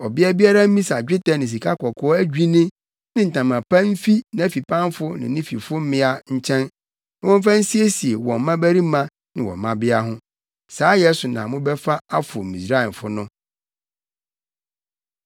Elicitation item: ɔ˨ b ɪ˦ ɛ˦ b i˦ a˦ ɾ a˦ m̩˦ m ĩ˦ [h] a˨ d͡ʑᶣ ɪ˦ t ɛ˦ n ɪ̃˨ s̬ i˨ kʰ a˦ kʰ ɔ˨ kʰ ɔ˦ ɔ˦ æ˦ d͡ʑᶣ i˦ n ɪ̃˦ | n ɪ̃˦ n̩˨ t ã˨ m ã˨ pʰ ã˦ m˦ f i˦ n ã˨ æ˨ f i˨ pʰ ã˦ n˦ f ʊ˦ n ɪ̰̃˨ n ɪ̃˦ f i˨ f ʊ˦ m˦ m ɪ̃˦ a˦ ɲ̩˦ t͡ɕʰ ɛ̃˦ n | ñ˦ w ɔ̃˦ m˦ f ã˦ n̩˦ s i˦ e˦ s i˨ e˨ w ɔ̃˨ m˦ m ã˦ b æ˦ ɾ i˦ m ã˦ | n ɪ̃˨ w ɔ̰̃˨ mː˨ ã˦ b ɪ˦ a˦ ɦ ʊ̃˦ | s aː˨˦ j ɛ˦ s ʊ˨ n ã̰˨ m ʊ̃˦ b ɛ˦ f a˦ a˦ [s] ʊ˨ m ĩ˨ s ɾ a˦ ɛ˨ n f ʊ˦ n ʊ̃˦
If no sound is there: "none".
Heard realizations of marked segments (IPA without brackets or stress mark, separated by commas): s, f